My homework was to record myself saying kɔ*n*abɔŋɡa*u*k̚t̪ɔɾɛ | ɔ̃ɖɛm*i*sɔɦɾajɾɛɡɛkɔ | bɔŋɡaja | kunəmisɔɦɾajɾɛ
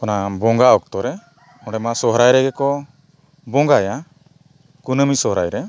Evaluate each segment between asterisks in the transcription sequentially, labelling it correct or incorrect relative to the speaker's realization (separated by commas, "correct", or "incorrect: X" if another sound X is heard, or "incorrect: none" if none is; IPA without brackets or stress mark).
correct, incorrect: ɔ, incorrect: a